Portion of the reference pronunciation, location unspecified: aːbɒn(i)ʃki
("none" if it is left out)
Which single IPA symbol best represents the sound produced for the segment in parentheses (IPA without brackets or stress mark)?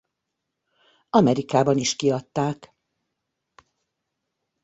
i